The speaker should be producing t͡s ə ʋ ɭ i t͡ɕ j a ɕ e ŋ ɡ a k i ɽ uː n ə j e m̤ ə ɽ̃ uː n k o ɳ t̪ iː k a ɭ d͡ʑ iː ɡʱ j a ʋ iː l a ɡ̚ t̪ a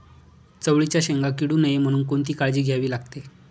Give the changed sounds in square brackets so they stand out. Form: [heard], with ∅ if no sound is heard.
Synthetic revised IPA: t͡s ə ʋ ɭ i t͡ɕ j a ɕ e ŋ ɡ a k i ɽ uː n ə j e m̤ ə ɽ̃ uː n k o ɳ t̪ iː k a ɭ d͡ʑ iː ɡʱ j a ʋ iː l a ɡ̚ t̪ [e]